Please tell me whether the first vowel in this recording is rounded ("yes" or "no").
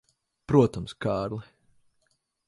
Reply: yes